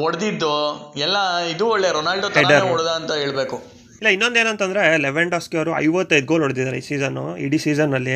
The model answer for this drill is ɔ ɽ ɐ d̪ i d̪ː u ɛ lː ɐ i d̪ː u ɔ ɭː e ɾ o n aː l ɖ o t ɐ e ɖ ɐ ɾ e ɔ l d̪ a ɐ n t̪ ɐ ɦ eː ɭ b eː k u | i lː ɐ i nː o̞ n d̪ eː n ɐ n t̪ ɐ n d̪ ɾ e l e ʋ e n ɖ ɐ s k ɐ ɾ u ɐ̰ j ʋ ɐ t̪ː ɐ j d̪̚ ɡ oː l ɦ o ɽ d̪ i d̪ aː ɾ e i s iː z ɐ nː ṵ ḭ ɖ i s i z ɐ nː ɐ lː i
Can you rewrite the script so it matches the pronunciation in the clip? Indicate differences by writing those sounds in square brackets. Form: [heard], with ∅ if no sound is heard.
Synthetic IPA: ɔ ɽ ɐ d̪ i d̪ː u ɛ lː ɐ i [d̪] u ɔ ɭː e ɾ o n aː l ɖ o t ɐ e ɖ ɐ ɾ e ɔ [ɽ] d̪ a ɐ n t̪ ɐ ɦ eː ɭ b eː k u | i lː ɐ i nː o̞ n d̪ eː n ɐ n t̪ ɐ n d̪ ɾ e l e ʋ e [ɳ] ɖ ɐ s k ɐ ɾ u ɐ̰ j ʋ ɐ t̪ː ɐ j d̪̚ ɡ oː l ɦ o ɽ d̪ i d̪ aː ɾ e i s iː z ɐ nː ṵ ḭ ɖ i s [iː] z ɐ nː ɐ lː i